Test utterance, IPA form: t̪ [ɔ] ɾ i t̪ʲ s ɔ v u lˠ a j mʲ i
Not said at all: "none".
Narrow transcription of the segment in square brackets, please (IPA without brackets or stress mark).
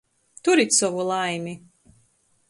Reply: u